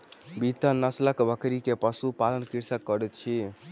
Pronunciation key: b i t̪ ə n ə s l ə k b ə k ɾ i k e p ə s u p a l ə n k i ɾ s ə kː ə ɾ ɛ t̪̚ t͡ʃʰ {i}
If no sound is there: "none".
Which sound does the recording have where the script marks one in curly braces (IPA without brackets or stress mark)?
i